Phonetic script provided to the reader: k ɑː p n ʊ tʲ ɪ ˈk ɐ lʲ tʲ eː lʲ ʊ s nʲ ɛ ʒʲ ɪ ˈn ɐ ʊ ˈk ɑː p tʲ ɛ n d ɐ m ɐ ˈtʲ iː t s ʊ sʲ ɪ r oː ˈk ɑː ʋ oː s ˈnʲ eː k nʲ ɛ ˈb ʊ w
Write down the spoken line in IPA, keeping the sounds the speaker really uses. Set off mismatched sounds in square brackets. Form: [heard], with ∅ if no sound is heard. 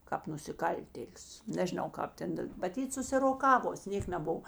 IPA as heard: k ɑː p n ʊ [sʲ] ɪ ˈk ɐ lʲ tʲ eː lʲ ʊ s nʲ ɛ ʒʲ ɪ ˈn ɐ ʊ ˈk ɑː p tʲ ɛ n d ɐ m ɐ ˈtʲ iː t s ʊ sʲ ɪ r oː ˈk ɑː ʋ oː s ˈnʲ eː k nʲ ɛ ˈb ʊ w